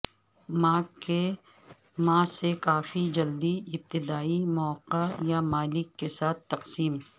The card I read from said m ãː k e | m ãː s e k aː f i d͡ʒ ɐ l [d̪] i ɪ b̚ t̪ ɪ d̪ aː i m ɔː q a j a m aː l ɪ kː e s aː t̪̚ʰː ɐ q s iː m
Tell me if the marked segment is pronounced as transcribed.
yes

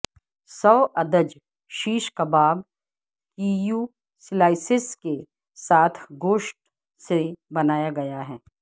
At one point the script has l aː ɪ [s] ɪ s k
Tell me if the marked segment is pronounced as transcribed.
yes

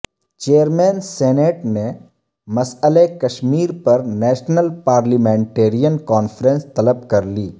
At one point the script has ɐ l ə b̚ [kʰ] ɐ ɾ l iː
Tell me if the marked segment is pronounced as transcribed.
no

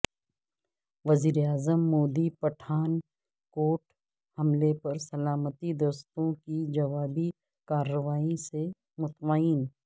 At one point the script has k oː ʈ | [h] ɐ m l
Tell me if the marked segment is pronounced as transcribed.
yes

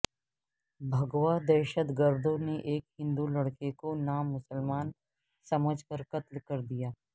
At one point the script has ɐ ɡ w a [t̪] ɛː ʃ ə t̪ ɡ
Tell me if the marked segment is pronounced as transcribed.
no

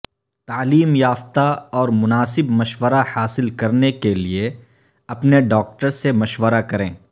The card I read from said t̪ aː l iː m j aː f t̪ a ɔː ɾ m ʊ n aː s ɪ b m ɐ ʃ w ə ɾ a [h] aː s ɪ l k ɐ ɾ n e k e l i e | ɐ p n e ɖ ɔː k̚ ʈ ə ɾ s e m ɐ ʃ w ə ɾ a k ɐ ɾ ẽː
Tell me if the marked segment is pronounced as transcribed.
yes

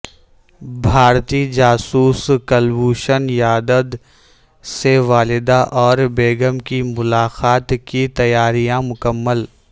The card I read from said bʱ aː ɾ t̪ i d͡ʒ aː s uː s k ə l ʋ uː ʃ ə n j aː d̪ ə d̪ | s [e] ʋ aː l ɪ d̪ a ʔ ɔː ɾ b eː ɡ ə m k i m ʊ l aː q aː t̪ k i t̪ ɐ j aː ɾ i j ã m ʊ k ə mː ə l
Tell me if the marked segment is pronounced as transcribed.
yes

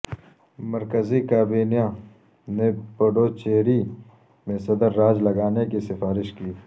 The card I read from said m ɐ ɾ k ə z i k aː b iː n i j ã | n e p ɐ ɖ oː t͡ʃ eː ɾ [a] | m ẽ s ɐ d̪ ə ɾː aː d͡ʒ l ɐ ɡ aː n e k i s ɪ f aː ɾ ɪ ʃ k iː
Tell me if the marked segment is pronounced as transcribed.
no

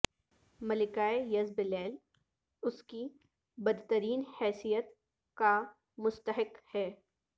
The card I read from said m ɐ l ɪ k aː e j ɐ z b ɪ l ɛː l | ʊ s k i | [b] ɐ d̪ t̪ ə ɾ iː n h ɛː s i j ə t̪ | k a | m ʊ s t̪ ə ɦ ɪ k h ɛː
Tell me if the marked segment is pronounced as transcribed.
yes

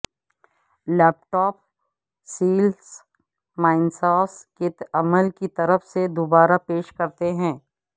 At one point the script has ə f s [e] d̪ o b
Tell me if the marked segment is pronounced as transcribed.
yes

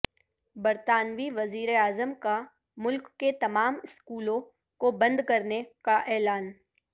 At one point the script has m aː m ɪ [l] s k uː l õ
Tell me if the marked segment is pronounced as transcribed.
no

